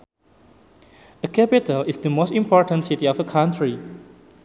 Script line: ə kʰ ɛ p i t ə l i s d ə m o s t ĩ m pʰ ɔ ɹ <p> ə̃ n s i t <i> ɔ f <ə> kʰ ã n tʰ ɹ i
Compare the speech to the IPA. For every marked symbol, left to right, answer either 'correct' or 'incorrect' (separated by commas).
incorrect, correct, correct